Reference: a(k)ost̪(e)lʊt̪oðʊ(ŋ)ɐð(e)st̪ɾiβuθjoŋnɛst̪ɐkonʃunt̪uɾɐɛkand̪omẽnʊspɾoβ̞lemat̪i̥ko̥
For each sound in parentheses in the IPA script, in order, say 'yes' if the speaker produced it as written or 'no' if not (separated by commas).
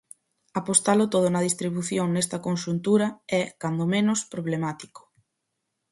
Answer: no, no, no, no